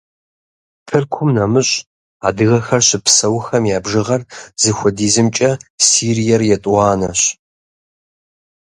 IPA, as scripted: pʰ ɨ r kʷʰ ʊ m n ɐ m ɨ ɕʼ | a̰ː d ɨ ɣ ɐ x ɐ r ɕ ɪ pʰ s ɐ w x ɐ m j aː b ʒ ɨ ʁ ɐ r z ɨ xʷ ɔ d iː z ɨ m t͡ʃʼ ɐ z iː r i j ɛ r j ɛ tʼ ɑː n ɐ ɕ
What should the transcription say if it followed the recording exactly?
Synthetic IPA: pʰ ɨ r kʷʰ ʊ m n ɐ m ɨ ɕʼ | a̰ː d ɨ ɣ ɐ x ɐ r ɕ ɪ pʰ s ɐ w x ɐ m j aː b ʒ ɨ ʁ ɐ r z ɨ xʷ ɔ d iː z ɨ m t͡ʃʼ ɐ s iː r i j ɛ r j ɛ tʼ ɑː n ɐ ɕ

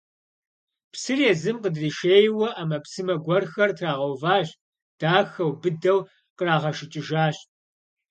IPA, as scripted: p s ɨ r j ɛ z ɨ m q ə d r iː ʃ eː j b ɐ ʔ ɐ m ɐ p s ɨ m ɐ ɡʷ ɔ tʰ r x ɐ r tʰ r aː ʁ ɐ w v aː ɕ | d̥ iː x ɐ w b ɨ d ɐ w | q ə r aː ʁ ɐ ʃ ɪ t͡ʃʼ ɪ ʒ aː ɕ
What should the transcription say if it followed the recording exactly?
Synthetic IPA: p s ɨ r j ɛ z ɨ m q ə d r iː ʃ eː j w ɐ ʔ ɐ m ɐ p s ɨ m ɐ ɡʷ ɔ r x ɐ r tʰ r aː ʁ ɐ w v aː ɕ | d̥ aː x ɐ w b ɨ d ɐ w | q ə r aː ʁ ɐ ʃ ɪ t͡ʃʼ ɪ ʒ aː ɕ

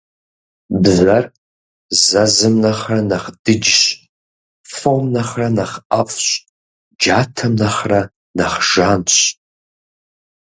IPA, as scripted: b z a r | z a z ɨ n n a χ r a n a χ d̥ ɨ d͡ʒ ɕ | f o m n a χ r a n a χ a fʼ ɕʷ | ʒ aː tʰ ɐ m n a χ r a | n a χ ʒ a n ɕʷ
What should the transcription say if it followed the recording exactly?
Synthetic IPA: b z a r | z a z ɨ m n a χ r a n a χ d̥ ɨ d͡ʒ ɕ | f o m n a χ r a n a χ a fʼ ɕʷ | d͡ʒ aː tʰ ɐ m n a χ r a | n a χ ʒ a n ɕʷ

